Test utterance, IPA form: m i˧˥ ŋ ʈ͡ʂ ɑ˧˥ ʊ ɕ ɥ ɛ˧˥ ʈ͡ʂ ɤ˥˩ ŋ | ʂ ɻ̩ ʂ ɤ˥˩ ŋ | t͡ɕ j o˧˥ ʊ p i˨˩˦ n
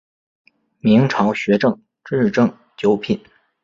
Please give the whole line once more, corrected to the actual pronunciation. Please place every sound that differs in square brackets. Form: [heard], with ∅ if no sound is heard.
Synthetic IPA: m i˧˥ ŋ [ʈ͡ʂʰ] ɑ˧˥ ʊ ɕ ɥ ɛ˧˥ ʈ͡ʂ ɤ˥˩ ŋ | [ʈ͡ʂ] ɻ̩ [ʈ͡ʂ] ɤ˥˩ ŋ | t͡ɕ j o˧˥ ʊ [pʰ] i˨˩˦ n